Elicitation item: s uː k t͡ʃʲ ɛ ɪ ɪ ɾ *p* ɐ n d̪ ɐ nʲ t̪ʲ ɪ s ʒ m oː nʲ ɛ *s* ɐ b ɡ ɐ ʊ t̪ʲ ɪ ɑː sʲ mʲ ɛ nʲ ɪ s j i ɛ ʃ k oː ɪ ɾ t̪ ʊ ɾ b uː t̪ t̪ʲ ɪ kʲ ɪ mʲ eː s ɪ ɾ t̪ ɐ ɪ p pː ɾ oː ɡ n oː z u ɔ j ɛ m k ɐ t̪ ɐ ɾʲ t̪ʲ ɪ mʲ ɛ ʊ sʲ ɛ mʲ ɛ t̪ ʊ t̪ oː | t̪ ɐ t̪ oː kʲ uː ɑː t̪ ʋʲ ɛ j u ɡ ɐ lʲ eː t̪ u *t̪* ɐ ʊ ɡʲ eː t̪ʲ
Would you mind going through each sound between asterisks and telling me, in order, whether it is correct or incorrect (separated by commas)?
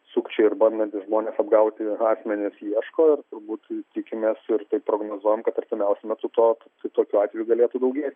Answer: incorrect, correct, incorrect